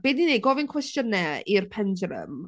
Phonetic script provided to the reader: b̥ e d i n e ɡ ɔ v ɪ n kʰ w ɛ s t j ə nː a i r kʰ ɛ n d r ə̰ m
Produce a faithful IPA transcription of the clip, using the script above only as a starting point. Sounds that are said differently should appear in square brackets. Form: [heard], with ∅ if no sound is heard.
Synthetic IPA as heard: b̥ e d i n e ɡ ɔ v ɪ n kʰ w ɛ s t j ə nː [ɛ] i r [pʰ] ɛ n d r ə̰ m